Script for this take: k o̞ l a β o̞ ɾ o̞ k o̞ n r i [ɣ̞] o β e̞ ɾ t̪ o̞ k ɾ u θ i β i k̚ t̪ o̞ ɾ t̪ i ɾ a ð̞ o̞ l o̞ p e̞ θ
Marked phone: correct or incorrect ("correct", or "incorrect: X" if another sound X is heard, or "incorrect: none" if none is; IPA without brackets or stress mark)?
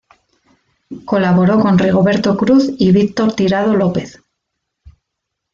correct